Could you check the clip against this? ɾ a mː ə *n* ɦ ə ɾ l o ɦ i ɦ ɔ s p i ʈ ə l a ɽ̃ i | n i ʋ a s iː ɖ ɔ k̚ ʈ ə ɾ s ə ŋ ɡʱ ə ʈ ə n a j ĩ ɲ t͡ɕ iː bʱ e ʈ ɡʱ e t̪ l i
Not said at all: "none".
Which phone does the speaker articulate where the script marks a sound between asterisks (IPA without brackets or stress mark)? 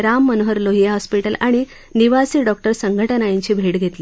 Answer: n